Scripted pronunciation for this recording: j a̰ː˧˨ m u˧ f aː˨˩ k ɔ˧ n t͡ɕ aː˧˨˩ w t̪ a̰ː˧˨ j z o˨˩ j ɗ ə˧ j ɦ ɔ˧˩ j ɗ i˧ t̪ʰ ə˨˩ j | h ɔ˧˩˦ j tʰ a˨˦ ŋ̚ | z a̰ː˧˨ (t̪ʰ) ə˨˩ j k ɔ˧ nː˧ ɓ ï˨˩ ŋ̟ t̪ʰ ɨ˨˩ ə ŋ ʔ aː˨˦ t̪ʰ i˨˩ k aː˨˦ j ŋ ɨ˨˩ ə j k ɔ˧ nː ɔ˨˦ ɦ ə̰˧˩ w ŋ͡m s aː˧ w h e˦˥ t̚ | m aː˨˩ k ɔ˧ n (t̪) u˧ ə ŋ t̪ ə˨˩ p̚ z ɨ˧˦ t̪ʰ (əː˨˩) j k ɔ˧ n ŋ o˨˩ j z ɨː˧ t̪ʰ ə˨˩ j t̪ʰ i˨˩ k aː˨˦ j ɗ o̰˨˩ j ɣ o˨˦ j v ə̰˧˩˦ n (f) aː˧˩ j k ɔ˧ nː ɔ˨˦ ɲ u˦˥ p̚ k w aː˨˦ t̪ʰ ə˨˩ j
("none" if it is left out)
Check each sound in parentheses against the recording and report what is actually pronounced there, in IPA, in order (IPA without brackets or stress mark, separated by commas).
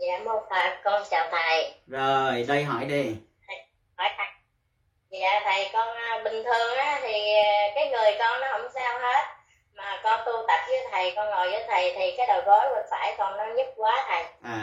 t̪ʰ, t̪, ə˨˩, f